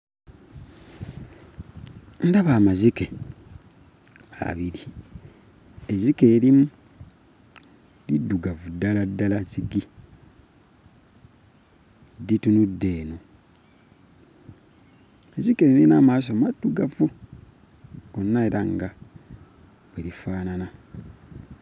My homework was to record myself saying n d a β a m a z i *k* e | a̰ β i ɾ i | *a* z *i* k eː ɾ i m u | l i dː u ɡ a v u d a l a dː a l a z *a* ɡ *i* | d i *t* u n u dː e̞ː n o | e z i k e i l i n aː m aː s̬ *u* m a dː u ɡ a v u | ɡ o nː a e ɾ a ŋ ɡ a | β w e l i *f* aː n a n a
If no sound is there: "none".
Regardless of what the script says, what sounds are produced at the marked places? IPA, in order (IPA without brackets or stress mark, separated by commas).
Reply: k, e, i, i, i, t, o, f